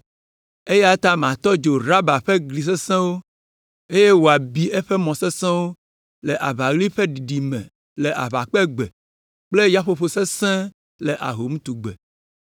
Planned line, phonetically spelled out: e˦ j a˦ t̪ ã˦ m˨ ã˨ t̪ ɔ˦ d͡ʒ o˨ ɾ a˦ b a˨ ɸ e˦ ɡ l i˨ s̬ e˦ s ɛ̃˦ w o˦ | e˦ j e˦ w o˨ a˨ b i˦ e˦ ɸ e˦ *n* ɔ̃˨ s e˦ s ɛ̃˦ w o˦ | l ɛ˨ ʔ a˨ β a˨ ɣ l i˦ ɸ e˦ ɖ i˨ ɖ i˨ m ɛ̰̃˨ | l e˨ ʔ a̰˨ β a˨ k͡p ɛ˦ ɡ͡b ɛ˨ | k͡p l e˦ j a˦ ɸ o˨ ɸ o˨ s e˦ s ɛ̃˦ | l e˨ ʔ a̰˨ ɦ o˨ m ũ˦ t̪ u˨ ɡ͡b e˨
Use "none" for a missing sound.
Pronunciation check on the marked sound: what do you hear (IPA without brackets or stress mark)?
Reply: m